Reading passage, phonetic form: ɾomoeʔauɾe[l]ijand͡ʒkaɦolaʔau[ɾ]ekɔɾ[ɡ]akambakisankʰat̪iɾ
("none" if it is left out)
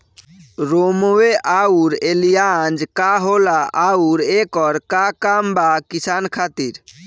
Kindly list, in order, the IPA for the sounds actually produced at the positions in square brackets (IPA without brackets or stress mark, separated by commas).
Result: l, ɾ, k